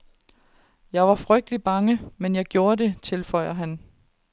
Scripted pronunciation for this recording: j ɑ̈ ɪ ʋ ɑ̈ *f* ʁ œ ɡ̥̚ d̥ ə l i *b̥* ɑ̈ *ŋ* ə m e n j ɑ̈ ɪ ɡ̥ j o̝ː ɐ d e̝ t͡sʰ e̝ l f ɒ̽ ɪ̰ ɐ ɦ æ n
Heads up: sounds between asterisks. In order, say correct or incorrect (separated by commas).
correct, correct, correct